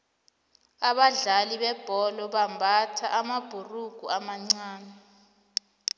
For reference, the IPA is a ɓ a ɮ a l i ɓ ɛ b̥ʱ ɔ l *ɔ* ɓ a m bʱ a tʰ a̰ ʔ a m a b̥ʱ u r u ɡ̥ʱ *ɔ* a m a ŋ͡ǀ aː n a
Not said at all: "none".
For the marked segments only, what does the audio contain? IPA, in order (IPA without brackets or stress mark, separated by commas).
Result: ɔ, u